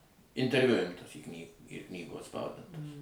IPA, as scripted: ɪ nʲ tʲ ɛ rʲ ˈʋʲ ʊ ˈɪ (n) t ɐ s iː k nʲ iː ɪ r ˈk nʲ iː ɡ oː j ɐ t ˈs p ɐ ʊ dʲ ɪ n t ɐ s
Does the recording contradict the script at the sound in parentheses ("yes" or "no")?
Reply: yes